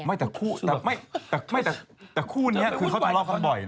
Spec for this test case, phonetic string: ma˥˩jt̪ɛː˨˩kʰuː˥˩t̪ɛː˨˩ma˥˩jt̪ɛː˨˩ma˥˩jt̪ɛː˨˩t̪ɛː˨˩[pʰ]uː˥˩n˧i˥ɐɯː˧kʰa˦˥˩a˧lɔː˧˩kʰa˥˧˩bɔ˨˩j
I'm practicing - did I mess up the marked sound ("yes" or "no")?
yes